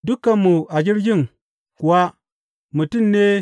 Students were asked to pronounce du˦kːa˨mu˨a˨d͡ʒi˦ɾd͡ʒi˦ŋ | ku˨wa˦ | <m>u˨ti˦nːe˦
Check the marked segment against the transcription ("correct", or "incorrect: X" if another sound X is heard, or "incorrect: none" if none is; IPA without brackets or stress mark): correct